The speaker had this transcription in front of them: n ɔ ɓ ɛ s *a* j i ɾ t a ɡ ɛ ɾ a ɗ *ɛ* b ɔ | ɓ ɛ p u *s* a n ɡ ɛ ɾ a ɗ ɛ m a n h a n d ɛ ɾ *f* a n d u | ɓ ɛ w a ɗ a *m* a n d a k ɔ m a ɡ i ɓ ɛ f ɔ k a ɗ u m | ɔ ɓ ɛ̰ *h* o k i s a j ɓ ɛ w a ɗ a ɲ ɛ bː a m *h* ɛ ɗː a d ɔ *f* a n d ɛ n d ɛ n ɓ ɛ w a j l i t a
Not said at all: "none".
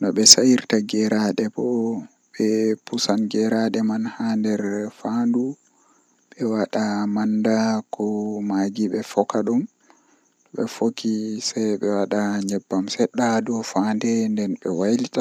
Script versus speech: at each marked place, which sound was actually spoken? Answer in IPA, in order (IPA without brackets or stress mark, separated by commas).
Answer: a, ɛ, s, f, m, f, s, f